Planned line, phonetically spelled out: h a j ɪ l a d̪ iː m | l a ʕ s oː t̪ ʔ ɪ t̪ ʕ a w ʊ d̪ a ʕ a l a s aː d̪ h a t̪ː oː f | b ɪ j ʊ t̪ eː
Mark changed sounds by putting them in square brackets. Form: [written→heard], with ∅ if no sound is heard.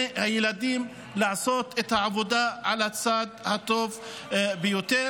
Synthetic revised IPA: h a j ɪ l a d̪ iː m | l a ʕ s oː t̪ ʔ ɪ t̪ ʕ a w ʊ d̪ a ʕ a l a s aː d̪ h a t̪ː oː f | b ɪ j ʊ t̪ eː